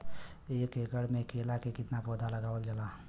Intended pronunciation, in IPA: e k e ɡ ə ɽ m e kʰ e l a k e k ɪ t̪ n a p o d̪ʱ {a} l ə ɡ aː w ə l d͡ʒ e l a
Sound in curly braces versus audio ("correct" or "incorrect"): correct